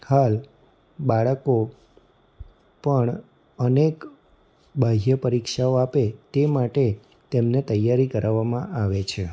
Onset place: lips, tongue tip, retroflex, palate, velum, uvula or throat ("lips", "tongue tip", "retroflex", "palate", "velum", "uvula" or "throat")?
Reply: throat